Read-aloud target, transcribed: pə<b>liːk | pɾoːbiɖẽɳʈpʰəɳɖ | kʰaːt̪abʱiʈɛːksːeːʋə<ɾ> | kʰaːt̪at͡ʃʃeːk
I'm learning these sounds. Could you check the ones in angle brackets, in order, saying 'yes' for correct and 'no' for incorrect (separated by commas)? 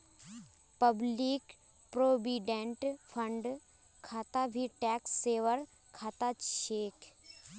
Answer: yes, yes